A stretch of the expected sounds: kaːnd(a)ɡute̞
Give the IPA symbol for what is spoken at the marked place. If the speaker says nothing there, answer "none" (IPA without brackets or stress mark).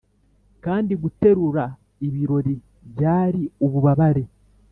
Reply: i